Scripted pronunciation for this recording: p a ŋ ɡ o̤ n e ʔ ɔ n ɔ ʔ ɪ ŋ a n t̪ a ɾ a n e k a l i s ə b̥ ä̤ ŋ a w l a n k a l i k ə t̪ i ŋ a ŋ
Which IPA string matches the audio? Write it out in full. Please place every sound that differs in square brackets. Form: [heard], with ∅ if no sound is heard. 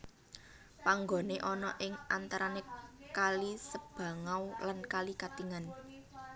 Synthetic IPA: p a ŋ ɡ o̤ n e ʔ ɔ n ɔ ʔ ɪ ŋ a n t̪ a ɾ a n e k a l i s ə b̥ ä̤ ŋ a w l a n k a l i k [a] t̪ i ŋ a [n]